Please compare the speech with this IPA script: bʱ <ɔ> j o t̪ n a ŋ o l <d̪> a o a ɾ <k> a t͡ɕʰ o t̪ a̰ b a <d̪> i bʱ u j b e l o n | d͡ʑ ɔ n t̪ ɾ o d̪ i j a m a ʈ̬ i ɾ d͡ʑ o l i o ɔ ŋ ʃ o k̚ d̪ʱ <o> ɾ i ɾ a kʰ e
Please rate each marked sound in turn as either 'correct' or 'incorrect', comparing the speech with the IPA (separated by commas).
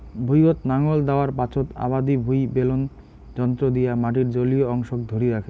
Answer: incorrect, correct, incorrect, correct, correct